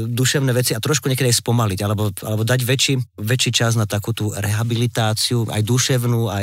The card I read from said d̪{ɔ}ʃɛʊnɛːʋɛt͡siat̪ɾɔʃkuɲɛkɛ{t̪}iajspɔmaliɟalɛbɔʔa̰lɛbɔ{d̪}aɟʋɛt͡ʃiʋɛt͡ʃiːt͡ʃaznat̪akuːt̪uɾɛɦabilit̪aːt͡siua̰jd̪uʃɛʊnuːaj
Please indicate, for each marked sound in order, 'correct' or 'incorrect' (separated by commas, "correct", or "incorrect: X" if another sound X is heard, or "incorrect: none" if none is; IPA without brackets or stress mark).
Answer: incorrect: u, incorrect: d̪, correct